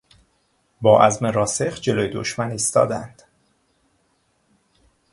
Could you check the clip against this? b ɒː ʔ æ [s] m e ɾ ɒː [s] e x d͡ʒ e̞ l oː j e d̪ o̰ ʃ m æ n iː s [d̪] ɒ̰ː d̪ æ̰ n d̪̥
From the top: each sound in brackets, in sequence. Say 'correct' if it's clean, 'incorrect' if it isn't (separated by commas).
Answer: incorrect, correct, incorrect